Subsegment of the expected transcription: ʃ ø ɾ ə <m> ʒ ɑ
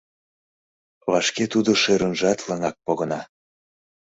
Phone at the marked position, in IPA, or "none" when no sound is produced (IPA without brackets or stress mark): n